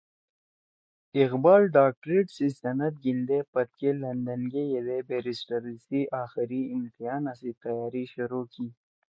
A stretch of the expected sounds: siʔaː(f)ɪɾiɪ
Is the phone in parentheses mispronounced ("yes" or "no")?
yes